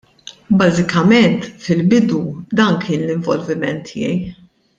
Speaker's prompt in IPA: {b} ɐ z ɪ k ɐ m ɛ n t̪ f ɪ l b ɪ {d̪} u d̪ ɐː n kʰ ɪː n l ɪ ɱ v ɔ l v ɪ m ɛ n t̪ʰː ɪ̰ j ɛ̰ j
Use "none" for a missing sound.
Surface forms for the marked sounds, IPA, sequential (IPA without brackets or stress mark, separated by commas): b, d̪